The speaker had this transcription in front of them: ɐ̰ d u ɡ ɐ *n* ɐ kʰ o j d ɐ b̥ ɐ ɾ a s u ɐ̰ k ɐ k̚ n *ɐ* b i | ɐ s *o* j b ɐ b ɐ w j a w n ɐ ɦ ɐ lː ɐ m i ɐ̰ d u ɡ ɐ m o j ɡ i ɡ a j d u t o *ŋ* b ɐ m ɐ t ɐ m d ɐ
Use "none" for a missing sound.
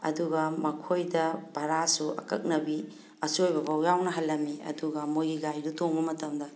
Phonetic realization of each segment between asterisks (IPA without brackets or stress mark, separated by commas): m, ɐ, o, ŋ